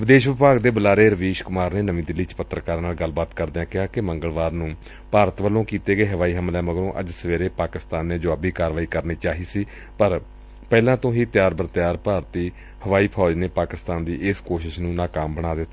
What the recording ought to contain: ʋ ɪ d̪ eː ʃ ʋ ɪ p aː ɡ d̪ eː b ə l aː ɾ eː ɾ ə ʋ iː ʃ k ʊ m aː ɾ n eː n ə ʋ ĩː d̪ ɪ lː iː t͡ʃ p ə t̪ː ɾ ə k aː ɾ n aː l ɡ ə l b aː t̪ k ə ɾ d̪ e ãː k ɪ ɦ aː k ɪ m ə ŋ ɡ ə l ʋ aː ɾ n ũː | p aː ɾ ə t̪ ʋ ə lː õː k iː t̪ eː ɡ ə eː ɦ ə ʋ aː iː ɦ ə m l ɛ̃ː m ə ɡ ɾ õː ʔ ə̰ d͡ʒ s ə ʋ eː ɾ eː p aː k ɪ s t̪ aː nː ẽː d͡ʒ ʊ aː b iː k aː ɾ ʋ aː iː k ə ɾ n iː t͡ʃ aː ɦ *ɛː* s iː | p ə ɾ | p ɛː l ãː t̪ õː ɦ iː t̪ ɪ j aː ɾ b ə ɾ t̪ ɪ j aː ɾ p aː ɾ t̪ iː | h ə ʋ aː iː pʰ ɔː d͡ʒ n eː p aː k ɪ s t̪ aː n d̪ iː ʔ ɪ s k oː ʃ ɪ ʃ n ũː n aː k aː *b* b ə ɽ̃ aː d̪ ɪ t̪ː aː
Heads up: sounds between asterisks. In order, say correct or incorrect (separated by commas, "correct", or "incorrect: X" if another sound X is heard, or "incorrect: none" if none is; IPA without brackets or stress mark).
incorrect: iː, incorrect: m